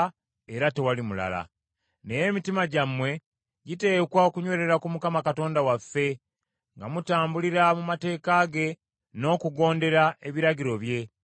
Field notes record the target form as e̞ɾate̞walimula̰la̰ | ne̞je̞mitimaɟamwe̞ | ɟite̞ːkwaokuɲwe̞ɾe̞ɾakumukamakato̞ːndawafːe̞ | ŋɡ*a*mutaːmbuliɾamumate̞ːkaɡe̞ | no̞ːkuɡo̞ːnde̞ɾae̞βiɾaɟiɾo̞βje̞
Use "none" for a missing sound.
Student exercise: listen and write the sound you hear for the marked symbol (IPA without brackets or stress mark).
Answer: a